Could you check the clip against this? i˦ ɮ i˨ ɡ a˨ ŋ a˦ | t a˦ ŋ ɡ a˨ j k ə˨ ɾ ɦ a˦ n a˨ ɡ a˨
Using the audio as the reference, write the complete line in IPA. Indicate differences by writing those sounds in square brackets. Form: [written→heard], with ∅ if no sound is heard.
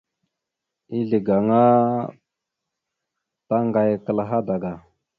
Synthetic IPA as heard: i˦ ɮ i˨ ɡ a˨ ŋ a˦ | t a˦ ŋ ɡ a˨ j k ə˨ [ɾ→l] ɦ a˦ [n→d] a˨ ɡ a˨